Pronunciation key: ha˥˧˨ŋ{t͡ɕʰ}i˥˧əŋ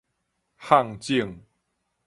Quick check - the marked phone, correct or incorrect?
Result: incorrect